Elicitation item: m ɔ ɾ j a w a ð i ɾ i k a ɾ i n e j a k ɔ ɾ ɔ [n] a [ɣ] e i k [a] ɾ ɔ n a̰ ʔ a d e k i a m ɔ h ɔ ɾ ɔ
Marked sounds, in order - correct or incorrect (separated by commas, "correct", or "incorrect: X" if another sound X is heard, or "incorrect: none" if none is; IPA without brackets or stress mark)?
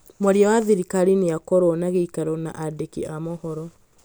correct, correct, correct